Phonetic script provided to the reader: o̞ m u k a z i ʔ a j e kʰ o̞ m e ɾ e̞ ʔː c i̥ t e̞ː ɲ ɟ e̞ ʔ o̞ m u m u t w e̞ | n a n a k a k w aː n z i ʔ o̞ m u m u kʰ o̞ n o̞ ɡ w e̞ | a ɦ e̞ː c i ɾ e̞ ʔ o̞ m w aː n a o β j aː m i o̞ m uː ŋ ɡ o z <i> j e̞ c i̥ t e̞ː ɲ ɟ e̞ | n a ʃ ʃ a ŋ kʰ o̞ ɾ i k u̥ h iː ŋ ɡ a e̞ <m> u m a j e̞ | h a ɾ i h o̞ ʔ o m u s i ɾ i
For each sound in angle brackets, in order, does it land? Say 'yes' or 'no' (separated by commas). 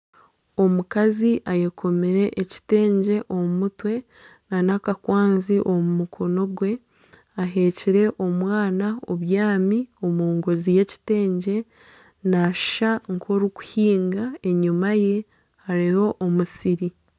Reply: yes, no